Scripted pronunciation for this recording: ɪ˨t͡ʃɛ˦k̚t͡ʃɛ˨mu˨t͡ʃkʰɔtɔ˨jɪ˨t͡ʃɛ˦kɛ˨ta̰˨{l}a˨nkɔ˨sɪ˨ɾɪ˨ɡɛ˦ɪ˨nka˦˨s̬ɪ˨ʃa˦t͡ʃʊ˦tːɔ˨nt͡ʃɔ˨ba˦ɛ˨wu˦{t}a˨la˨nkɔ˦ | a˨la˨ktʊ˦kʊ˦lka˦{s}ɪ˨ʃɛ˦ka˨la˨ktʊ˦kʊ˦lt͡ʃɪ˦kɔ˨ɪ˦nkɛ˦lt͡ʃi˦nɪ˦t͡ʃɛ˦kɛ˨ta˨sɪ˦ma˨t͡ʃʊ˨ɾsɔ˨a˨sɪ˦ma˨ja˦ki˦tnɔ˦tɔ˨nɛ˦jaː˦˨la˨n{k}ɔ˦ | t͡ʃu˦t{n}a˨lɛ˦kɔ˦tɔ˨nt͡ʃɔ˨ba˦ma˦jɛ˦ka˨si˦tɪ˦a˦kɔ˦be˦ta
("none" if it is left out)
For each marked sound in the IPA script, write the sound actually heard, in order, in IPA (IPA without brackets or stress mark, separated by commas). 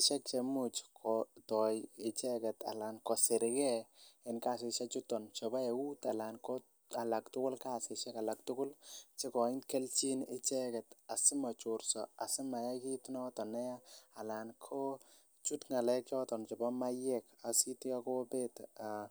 l, t, s, kʰ, ŋ